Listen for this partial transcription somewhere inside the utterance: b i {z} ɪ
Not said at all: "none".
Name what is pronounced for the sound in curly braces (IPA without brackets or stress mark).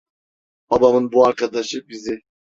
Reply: z